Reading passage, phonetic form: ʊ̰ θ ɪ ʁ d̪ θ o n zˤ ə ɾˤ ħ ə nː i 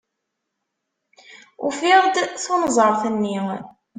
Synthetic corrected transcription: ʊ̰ f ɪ ʁ d̪ θ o n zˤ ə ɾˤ θ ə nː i